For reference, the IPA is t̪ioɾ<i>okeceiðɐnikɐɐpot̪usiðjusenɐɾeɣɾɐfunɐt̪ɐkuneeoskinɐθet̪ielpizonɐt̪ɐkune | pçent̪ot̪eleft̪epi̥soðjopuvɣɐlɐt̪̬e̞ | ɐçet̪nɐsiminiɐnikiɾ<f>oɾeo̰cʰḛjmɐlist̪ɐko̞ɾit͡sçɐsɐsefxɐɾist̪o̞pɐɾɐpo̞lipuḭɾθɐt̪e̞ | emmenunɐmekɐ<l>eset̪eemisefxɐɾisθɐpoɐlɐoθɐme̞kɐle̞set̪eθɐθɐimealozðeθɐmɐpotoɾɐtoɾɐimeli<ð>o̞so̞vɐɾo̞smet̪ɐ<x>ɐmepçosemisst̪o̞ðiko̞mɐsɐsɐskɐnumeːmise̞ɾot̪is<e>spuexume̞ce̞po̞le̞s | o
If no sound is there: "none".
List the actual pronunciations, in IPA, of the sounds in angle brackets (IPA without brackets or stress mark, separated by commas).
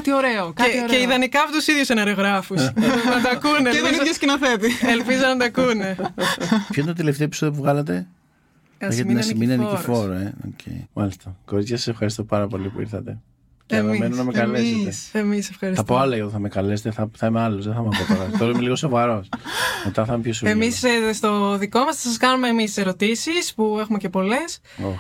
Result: e, f, l, ɣ, θ, i